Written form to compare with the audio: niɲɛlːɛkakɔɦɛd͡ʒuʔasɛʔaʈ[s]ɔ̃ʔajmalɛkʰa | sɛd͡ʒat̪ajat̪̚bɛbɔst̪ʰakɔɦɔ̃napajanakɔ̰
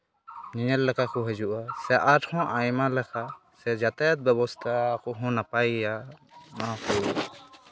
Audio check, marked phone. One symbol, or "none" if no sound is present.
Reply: h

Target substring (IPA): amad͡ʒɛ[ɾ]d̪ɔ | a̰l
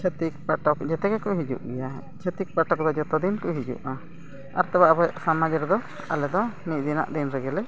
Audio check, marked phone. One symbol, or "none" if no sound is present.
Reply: ɾ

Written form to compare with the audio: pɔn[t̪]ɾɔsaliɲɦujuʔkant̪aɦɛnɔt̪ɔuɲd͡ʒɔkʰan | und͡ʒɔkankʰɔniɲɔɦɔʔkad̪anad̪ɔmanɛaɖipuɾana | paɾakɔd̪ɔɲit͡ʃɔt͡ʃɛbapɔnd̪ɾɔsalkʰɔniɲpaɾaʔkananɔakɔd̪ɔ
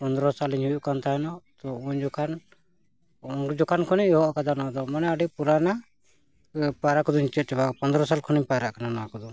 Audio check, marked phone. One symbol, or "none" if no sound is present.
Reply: d̪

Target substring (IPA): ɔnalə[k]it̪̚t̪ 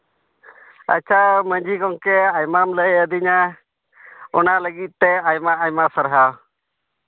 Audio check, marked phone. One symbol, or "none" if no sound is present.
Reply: ɡ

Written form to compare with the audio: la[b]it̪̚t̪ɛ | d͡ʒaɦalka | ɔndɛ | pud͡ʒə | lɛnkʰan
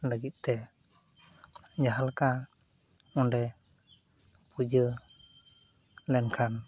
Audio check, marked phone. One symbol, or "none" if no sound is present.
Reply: ɡ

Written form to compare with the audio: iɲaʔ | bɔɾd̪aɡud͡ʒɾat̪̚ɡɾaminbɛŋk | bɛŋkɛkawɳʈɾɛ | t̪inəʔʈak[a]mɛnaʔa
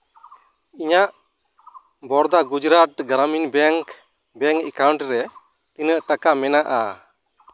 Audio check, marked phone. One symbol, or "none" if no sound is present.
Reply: a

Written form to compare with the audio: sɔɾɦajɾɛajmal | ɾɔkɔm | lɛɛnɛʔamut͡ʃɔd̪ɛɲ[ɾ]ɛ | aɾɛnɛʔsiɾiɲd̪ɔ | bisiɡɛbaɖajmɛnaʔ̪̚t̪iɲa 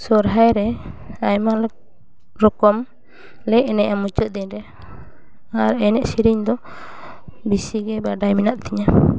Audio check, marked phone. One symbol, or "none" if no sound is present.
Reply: ɾ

